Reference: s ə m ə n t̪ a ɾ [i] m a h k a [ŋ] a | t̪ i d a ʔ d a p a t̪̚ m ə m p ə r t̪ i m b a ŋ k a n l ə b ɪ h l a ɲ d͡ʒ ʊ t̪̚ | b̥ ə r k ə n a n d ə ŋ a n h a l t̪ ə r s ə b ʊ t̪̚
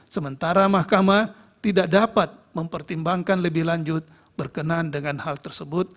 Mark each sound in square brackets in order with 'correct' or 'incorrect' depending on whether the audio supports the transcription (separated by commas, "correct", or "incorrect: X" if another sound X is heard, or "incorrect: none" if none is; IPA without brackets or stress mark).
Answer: incorrect: a, incorrect: m